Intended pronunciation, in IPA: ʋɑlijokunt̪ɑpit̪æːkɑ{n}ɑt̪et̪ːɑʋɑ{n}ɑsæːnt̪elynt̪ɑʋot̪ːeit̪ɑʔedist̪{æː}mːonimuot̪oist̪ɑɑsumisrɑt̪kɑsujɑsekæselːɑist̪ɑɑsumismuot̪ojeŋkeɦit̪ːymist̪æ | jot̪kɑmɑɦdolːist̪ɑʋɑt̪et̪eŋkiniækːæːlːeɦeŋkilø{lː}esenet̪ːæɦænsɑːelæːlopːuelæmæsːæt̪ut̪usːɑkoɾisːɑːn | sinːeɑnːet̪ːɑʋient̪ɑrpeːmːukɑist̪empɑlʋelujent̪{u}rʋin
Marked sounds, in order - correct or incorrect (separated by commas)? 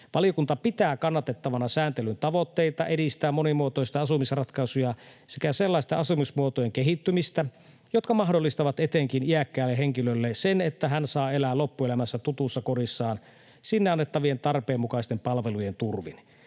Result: incorrect, correct, correct, correct, correct